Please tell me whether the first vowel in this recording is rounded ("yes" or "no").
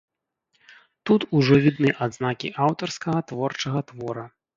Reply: yes